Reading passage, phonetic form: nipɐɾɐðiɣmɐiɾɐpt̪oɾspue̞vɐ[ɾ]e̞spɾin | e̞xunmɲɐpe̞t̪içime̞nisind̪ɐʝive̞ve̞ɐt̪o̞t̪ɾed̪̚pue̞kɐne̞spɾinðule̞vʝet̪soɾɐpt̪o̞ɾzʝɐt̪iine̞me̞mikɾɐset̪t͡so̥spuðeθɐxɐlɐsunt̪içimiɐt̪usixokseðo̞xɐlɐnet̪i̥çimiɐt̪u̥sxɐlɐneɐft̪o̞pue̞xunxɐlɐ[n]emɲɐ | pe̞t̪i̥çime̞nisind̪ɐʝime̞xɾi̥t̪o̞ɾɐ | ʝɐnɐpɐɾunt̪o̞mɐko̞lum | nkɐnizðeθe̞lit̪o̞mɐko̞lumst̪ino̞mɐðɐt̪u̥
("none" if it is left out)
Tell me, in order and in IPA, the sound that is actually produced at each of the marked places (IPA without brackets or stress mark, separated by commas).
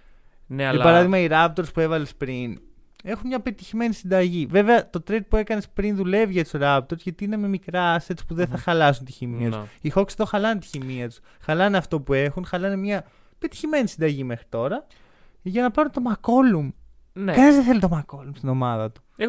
l, n